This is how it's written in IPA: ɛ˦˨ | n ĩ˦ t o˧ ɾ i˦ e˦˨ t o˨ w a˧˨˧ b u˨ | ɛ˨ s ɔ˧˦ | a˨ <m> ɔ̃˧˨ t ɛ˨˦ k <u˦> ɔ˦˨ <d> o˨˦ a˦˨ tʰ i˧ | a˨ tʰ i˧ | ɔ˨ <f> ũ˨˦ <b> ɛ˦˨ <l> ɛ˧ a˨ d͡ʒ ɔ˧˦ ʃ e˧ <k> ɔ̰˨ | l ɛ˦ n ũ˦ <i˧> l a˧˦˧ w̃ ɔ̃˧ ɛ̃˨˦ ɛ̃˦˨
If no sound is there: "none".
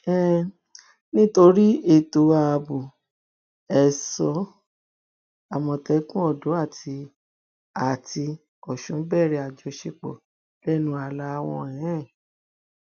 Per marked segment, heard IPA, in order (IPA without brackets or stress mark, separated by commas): m, ũ˦, d, ʃ, b, ɾ, k͡p, a˧